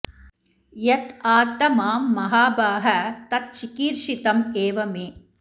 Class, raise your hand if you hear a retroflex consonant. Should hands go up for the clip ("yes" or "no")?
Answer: no